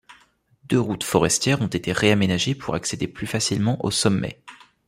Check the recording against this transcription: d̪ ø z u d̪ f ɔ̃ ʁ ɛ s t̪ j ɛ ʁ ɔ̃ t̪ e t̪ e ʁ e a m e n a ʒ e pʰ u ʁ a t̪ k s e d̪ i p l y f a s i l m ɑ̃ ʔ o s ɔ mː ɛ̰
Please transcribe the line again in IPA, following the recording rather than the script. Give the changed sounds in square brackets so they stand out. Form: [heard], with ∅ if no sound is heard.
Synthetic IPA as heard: d̪ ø [ʁ] u [t̪] f [ɔ] ʁ ɛ s t̪ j ɛ ʁ ɔ̃ t̪ e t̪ e ʁ e a m e n a ʒ e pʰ u ʁ a [∅] k s e d̪ [e] p l y f a s i l m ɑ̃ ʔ o s ɔ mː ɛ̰